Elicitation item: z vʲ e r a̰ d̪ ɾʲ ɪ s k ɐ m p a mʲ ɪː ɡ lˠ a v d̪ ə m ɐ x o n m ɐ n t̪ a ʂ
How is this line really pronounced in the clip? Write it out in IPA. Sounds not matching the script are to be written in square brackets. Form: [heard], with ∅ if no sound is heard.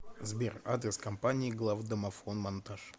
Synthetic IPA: z [bʲ] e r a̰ d̪ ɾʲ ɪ s k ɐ m p a [nʲ] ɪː ɡ lˠ a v d̪ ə m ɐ [f] o n m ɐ n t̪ a ʂ